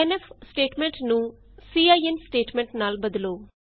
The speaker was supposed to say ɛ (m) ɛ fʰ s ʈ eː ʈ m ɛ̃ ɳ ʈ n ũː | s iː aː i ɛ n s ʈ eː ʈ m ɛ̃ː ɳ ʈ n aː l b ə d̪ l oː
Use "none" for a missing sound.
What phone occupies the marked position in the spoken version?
n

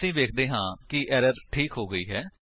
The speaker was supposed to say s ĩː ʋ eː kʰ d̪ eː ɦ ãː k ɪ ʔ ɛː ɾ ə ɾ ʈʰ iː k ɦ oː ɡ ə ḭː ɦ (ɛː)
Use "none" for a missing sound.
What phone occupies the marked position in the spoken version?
ɛː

